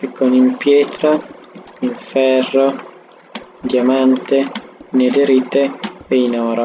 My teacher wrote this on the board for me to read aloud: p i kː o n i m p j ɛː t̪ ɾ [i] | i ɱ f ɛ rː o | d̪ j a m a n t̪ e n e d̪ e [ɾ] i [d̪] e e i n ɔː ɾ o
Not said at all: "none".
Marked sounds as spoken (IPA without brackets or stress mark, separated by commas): a, ɾ, t̪